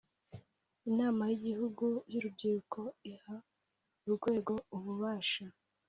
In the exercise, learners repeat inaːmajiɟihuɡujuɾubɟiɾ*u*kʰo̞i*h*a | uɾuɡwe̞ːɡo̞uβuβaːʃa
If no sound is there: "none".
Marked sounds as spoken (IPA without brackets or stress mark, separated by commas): u, h